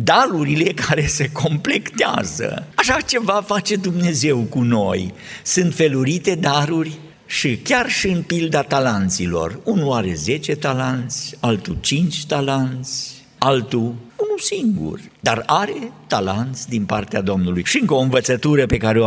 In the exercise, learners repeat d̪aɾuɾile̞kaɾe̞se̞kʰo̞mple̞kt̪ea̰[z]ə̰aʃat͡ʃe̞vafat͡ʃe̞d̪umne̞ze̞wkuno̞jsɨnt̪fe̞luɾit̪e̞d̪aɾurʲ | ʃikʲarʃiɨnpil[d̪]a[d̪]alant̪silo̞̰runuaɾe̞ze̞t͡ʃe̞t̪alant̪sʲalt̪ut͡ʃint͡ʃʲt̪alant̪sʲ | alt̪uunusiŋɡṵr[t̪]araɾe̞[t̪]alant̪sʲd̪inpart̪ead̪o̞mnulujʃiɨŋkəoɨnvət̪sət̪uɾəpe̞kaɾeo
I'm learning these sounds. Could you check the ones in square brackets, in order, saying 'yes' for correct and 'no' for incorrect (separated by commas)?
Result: yes, yes, no, no, yes